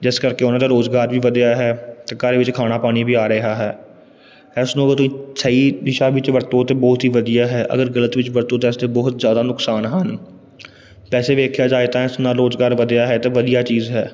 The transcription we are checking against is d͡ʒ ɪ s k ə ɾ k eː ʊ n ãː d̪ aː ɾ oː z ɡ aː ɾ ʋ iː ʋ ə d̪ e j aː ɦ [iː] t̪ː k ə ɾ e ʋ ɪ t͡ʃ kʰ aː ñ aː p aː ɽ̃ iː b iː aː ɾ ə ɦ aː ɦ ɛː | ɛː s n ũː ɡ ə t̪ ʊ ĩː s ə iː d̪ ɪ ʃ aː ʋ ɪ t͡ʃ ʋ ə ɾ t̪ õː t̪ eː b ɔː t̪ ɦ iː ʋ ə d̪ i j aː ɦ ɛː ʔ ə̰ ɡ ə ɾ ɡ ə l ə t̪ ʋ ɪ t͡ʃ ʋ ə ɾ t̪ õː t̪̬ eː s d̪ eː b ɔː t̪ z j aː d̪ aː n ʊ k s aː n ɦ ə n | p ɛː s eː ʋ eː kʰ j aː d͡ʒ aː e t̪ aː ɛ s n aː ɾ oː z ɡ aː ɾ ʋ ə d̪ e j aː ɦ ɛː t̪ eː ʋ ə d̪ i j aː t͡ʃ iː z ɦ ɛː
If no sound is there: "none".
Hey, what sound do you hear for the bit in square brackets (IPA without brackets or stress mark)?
ɛː